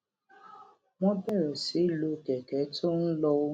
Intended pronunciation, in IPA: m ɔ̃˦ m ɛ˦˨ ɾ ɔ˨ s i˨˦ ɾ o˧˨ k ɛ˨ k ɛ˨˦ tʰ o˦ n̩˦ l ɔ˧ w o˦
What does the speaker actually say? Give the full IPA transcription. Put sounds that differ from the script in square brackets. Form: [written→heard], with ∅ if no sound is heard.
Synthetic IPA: m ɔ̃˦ [m→b] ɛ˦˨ ɾ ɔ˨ s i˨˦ [ɾ→l] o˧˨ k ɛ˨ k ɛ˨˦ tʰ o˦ n̩˦ l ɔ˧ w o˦